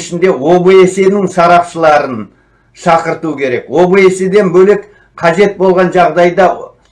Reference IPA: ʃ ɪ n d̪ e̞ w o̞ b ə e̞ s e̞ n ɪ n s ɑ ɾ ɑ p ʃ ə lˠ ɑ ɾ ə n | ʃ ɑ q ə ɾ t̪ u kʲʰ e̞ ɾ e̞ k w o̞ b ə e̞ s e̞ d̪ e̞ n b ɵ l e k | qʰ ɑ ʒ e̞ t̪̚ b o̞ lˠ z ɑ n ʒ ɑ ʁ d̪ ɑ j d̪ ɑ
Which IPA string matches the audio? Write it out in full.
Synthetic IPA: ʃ ɪ n d̪ e̞ w o̞ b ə e̞ s e̞ n ɪ ŋ s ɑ ɾ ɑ p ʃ ə lˠ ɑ ɾ ə n | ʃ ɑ q ə ɾ t̪ u kʲʰ e̞ ɾ e̞ k w o̞ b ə e̞ s e̞ d̪ e̞ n b ɵ l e k | qʰ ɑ ʒ e̞ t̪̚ b o̞ lˠ ʁ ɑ n ʒ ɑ ʁ d̪ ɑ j d̪ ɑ